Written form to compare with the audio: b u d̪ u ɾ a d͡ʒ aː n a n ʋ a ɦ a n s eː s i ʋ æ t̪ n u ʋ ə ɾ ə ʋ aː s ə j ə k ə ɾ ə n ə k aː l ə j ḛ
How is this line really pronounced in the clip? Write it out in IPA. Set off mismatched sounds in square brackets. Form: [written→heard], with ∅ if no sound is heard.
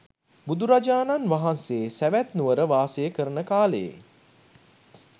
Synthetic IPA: b u d̪ u ɾ a d͡ʒ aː n a n ʋ a ɦ a n s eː s [i→æ] ʋ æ t̪ n u ʋ ə ɾ ə ʋ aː s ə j ə k ə ɾ ə n ə k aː l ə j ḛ